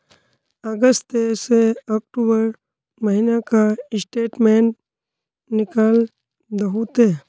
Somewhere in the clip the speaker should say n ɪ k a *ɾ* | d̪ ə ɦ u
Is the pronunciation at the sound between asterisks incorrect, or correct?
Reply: incorrect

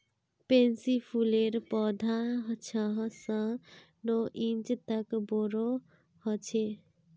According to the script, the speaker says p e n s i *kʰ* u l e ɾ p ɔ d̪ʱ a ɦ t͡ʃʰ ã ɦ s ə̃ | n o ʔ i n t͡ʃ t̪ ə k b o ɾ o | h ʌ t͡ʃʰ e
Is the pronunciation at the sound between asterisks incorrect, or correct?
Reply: incorrect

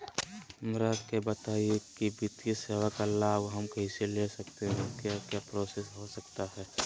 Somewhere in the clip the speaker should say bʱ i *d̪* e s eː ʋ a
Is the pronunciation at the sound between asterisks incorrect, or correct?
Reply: incorrect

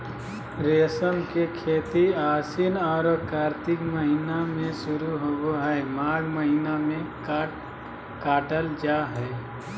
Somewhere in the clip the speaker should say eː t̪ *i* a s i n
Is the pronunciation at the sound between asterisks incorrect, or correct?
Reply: correct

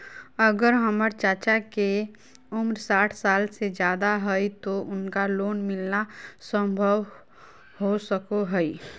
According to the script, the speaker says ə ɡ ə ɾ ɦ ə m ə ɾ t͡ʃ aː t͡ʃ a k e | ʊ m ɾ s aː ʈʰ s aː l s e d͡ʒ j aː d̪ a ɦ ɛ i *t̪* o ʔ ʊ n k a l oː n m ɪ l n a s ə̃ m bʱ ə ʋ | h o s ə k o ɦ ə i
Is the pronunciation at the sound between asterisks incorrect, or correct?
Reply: correct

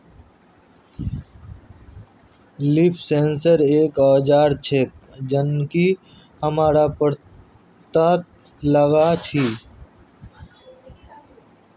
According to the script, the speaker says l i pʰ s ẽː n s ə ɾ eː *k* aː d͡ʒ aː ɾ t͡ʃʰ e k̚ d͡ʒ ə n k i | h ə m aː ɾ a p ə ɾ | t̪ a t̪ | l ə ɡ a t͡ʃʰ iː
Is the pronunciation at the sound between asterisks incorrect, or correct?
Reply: correct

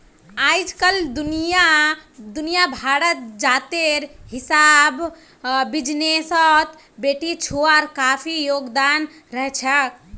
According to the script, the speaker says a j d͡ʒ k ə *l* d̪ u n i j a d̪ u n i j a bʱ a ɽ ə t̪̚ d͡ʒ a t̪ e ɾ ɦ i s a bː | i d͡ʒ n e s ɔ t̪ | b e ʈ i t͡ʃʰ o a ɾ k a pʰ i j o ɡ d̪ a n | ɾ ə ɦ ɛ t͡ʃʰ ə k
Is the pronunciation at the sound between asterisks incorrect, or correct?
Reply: correct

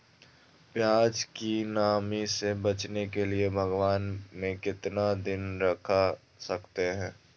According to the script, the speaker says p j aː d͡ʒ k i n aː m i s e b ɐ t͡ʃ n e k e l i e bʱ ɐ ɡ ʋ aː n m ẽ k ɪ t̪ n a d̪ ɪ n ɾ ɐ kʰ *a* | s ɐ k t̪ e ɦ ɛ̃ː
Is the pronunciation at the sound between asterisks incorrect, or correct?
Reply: correct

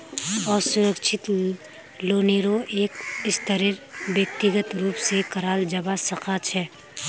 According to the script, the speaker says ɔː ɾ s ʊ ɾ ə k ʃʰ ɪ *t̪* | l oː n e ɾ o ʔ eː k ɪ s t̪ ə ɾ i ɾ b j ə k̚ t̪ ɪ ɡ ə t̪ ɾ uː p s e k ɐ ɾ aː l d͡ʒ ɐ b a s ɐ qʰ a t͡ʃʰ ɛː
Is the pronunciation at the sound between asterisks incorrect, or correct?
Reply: correct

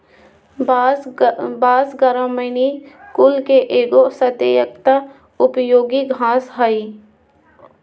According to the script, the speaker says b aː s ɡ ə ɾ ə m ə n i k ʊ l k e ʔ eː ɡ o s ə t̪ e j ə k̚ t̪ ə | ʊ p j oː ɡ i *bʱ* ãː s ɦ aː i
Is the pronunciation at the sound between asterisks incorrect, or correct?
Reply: incorrect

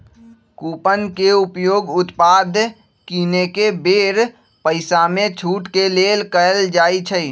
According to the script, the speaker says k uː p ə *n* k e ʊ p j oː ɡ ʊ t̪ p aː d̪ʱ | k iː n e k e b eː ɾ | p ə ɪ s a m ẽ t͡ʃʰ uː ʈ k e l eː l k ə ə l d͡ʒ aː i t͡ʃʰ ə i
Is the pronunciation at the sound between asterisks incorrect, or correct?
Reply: correct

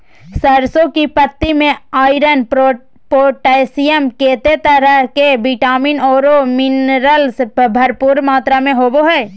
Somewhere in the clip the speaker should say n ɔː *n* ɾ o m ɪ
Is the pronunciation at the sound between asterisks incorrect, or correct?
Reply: incorrect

